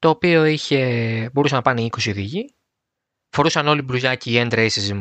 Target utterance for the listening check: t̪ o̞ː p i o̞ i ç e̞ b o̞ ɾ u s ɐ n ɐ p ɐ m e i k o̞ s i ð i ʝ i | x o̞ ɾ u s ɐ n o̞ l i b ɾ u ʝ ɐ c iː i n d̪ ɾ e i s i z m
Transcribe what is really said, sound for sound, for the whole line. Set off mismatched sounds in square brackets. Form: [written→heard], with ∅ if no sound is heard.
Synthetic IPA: t̪ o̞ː p i o̞ i ç e̞ b o̞ ɾ u s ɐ n ɐ p ɐ [m→n] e i k o̞ s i ð i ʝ i | [x→f] o̞ ɾ u s ɐ n o̞ l i b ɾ u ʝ ɐ c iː [i→e] n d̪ ɾ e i s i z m